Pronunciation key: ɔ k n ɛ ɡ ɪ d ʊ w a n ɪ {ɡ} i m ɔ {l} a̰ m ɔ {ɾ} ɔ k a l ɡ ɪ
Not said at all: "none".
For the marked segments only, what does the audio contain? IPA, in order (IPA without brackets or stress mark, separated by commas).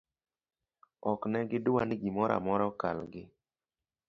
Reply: ɡ, ɾ, ɾ